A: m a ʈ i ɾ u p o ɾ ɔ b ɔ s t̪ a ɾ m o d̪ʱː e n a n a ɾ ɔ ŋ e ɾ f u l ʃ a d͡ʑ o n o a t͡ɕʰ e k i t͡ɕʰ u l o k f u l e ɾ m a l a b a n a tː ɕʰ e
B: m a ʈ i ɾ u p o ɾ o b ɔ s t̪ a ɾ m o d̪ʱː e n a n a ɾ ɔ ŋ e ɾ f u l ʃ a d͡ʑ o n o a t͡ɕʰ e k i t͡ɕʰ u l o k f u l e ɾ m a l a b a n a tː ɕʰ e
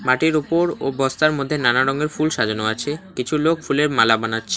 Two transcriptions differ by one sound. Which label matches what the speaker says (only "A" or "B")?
B